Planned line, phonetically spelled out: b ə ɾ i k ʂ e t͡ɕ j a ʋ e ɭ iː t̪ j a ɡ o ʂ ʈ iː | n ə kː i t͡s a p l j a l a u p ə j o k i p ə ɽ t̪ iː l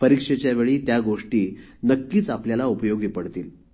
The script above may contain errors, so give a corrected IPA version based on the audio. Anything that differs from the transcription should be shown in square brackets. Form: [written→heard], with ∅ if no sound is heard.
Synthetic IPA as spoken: [b→p] ə ɾ i k ʂ e t͡ɕ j a ʋ e ɭ iː t̪ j a ɡ o ʂ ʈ iː | n ə kː [i→iː] t͡s a p l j a l a u p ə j o [k→ɡ] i p ə ɽ t̪ iː l